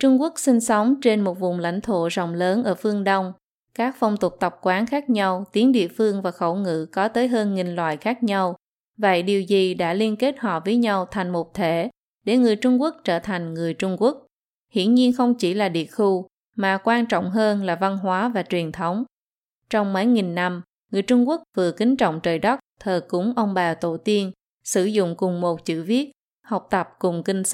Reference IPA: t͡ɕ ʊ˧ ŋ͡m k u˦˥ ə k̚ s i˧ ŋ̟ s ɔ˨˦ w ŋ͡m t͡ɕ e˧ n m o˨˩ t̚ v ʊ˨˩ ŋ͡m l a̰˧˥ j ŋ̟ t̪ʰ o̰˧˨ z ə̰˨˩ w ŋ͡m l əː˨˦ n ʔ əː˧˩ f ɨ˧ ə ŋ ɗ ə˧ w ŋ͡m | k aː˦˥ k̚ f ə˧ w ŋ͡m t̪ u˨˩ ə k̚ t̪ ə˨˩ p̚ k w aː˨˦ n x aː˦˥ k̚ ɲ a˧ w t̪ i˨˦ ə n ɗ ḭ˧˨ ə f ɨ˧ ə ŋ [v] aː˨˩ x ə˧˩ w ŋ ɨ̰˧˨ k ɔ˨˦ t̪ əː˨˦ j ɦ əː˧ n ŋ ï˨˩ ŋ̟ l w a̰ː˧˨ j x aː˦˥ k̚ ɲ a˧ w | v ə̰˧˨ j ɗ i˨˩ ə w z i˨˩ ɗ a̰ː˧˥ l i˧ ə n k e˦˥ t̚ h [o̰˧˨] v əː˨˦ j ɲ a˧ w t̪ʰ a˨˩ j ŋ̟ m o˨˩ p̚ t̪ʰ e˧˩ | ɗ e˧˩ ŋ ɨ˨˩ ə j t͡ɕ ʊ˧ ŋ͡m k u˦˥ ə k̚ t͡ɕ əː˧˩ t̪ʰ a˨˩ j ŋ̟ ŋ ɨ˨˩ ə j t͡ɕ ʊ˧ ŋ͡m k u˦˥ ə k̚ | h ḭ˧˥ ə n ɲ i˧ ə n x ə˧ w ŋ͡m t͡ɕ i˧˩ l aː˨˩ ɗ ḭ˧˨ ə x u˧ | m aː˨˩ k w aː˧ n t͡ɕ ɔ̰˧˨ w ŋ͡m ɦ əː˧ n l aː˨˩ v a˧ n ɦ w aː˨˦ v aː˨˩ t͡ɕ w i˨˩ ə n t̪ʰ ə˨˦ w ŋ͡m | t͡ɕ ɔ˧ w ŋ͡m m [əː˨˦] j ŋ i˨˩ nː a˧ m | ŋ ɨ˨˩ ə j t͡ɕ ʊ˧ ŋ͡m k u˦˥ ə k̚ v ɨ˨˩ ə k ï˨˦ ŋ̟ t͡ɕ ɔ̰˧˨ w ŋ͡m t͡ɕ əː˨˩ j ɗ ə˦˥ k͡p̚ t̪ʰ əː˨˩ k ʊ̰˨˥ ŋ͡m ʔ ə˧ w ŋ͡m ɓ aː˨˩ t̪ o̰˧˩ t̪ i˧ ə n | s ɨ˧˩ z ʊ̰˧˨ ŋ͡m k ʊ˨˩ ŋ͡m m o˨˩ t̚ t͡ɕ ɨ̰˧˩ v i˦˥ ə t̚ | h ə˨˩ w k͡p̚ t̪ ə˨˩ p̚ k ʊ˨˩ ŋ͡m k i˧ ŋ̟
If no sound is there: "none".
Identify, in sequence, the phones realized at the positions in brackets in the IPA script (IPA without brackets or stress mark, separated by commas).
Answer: v, ɔ̰˧˨, ə˨˦